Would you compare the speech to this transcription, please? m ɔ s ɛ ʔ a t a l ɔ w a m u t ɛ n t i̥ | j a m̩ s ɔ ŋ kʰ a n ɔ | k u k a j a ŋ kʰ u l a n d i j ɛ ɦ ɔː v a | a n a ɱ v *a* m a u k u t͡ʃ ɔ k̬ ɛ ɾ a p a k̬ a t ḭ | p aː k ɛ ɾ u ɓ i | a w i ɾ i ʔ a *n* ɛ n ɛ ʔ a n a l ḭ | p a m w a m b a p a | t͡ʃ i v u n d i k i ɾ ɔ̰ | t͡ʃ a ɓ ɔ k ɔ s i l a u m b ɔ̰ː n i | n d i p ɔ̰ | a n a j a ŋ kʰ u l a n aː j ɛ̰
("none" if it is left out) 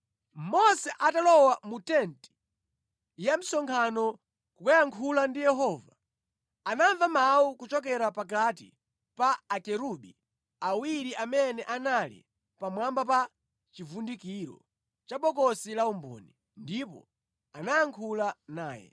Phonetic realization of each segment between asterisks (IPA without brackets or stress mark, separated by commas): a, m